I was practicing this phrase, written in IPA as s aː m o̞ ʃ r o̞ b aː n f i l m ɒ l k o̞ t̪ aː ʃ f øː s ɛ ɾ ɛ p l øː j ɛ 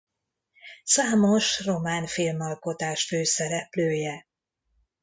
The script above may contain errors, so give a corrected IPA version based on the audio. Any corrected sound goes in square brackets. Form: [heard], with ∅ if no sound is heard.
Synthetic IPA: s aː m o̞ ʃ r o̞ [m] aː n f i l m ɒ l k o̞ t̪ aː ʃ f øː s ɛ ɾ ɛ p l øː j ɛ